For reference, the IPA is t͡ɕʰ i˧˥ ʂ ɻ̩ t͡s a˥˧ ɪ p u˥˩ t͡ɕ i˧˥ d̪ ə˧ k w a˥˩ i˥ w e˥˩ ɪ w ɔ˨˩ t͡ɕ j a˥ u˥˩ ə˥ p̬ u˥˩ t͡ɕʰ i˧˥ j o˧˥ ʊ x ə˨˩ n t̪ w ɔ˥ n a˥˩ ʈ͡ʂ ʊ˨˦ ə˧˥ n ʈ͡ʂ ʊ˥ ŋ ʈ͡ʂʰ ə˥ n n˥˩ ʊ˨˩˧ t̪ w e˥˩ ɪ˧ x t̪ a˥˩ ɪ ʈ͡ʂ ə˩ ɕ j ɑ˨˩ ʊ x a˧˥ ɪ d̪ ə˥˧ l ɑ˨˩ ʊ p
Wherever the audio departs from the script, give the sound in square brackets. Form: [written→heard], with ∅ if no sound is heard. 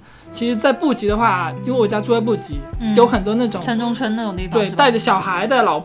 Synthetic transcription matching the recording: t͡ɕʰ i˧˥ ʂ ɻ̩ t͡s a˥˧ ɪ p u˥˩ t͡ɕ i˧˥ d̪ ə˧ [k→x] w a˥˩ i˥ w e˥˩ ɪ w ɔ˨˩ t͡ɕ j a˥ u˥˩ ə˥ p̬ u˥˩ [t͡ɕʰ→t͡ɕ] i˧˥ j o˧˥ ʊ x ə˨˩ n t̪ w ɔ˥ n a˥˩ ʈ͡ʂ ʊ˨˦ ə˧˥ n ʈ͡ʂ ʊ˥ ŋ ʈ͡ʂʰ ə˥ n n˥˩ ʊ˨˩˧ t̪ w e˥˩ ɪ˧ [x→∅] t̪ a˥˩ ɪ ʈ͡ʂ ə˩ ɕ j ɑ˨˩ ʊ x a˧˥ ɪ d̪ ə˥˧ l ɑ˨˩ ʊ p